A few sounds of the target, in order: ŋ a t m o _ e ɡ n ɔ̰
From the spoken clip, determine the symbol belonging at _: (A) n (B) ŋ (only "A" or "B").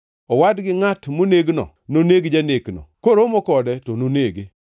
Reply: A